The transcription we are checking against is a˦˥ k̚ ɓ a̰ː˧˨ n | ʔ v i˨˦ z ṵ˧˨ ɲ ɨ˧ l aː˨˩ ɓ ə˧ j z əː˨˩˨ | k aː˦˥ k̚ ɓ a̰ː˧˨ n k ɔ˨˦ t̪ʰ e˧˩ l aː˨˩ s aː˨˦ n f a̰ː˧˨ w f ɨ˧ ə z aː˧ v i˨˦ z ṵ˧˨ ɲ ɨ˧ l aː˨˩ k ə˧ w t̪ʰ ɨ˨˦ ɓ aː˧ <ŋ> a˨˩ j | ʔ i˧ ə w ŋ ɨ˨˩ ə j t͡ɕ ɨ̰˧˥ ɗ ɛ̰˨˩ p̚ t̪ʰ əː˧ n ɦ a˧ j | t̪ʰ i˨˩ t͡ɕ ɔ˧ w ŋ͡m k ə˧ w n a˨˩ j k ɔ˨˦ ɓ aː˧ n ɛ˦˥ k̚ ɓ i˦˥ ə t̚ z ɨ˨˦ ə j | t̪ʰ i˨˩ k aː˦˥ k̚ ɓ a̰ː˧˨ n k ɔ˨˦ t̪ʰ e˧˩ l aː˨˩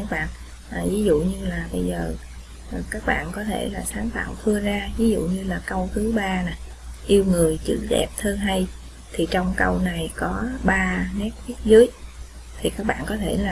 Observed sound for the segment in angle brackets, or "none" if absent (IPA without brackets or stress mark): n